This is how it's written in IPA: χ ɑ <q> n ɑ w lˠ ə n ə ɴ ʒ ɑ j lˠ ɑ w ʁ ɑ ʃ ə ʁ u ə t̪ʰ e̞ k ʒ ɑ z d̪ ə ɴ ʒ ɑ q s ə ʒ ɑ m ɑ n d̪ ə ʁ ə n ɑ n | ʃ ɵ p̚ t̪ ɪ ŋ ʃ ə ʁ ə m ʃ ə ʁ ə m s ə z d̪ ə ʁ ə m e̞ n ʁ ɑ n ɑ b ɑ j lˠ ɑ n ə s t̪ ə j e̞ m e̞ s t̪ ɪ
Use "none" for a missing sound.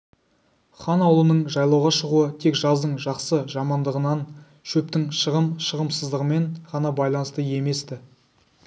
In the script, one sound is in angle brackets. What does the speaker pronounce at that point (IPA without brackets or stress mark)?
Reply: none